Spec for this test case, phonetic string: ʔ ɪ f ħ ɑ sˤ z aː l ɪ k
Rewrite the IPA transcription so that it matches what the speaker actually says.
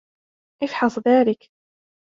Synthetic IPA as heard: ʔ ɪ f ħ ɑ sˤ ð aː l ɪ k